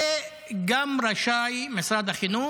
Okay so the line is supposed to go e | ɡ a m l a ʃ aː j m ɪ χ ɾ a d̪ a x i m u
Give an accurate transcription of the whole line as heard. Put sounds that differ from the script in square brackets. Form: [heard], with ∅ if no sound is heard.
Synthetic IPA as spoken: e | ɡ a m [ɾ] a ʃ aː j m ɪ [s] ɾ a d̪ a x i [n] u